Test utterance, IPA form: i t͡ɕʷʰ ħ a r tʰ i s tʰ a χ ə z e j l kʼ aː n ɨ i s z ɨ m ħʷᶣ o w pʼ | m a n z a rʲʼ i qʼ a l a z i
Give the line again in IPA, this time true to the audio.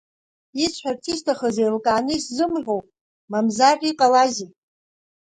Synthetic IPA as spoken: i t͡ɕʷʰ ħ a r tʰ i s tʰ a χ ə z e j l kʼ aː n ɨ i s z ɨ m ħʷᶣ o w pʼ | m a m z a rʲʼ i qʼ a l a z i